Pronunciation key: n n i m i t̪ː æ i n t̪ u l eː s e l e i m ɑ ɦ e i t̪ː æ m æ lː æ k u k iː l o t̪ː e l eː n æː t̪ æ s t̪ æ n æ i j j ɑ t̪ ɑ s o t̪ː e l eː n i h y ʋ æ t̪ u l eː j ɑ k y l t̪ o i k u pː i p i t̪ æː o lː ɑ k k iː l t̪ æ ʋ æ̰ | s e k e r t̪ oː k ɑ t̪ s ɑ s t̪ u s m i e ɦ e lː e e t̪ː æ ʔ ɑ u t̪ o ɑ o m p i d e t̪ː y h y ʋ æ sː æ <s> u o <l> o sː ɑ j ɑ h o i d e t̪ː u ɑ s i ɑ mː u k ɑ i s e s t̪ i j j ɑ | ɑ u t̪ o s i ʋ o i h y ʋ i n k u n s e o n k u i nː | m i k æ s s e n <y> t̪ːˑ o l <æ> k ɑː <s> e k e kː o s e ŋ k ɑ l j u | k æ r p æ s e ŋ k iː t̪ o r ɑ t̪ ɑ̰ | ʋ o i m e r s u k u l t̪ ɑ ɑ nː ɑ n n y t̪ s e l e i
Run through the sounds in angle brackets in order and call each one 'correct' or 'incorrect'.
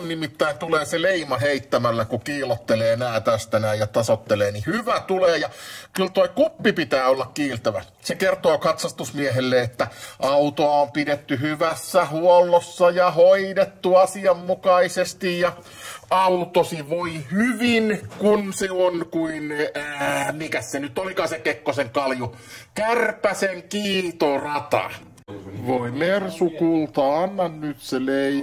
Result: incorrect: h, incorrect: lː, correct, incorrect: i, correct

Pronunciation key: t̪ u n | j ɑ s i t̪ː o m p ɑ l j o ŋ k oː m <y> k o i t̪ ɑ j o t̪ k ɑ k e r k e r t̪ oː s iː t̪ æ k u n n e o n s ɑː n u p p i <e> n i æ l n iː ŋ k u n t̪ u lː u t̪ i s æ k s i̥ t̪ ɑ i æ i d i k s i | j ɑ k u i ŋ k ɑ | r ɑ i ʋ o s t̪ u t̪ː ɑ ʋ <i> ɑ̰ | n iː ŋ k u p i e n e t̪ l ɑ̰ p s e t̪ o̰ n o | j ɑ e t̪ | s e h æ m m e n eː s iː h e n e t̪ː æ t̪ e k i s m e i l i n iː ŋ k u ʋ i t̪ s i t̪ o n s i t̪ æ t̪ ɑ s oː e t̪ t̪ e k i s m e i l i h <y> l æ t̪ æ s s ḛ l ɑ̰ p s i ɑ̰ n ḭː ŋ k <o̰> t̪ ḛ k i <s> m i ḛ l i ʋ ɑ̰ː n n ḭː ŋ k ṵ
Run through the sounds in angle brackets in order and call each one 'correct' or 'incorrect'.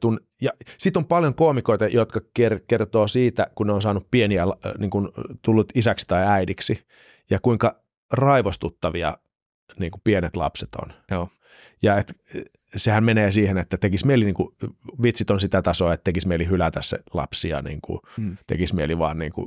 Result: incorrect: i, correct, correct, correct, incorrect: ṵ, correct

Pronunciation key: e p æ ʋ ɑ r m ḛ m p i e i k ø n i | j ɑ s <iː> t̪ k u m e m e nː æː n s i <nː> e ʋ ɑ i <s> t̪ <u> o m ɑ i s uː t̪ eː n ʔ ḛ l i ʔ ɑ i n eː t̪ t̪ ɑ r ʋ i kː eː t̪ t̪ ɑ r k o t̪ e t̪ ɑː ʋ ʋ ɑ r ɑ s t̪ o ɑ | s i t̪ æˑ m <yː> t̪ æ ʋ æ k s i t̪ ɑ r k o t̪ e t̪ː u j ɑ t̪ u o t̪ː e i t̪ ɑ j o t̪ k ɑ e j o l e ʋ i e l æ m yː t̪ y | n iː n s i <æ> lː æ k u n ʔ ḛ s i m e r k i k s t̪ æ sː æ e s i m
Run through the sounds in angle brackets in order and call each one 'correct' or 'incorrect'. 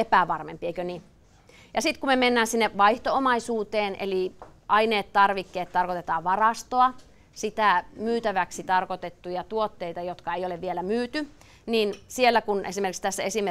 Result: incorrect: i, correct, incorrect: h, incorrect: o, correct, incorrect: e

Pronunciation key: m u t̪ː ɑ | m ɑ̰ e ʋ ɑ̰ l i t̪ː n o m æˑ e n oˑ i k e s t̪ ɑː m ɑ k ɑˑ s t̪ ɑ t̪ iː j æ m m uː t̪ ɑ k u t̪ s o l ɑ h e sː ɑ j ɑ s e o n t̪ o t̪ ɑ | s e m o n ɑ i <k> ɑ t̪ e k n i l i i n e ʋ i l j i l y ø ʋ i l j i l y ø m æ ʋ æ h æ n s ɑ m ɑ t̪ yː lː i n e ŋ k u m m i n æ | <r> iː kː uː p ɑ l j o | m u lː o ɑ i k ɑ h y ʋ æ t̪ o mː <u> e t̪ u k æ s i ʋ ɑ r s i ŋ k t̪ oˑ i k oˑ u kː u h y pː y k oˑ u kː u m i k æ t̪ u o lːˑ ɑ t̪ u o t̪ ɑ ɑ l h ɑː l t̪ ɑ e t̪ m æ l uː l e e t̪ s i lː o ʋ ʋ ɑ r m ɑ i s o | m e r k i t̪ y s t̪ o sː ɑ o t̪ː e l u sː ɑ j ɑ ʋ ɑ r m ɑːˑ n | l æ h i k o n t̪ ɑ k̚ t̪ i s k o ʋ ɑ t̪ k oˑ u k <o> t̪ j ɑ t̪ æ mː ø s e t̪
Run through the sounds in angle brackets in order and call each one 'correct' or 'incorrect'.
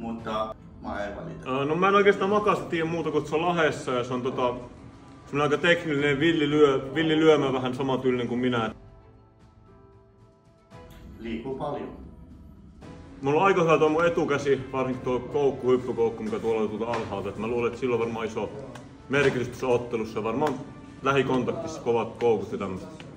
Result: correct, incorrect: l, correct, incorrect: u

